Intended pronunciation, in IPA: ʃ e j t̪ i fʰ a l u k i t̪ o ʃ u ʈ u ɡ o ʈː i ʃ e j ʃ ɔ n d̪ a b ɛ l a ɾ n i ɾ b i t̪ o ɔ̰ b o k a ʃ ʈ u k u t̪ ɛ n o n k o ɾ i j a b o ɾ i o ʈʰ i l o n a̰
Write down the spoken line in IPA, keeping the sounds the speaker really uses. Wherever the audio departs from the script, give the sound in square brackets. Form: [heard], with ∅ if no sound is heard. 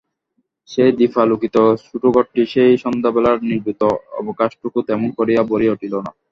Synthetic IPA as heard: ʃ e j [d̪] i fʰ a l u k i t̪ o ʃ u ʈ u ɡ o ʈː i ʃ e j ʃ ɔ n d̪ a b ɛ l a ɾ n i ɾ b i t̪ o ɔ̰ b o k a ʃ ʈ u k u t̪ ɛ [m] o n k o ɾ i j a b o ɾ i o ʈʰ i l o n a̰